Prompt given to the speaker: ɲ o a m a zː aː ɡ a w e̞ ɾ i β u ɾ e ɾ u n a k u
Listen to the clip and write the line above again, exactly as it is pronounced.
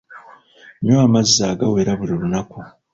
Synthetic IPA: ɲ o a m a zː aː ɡ a w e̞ ɾ a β u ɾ i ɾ u n a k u